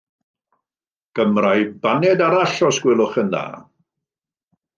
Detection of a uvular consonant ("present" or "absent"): present